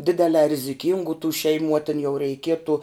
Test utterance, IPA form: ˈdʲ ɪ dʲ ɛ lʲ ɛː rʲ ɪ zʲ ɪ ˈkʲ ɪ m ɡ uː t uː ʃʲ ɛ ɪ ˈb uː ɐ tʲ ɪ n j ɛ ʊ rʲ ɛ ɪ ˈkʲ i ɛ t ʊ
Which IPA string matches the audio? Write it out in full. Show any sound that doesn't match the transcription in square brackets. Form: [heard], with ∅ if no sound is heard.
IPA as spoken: ˈdʲ ɪ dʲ ɛ lʲ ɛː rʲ ɪ zʲ ɪ ˈkʲ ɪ [ŋ] ɡ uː t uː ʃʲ ɛ ɪ [ˈm] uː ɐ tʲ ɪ n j ɛ ʊ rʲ ɛ ɪ ˈkʲ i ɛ t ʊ